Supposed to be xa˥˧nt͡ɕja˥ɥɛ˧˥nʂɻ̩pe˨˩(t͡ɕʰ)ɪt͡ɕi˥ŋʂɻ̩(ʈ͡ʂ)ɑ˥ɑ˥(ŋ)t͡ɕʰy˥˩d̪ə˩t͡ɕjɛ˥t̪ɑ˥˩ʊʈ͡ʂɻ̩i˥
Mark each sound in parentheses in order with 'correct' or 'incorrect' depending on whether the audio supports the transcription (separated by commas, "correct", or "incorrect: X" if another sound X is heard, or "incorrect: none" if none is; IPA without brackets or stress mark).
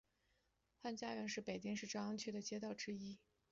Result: incorrect: none, correct, correct